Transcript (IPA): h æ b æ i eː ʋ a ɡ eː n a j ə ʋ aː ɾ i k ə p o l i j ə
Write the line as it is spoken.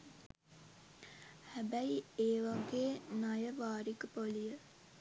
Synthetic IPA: h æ b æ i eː ʋ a ɡ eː n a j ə ʋ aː ɾ i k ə p o l i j ə